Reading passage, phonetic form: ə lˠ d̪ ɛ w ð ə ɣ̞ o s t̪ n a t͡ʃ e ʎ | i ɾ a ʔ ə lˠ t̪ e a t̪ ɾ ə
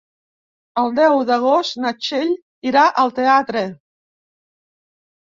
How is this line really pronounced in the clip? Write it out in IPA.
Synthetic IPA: ə lˠ d̪ ɛ w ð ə ɣ̞ o s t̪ n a t͡ʃ e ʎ | i ɾ a ʔ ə lˠ t̪ e a t̪ ɾ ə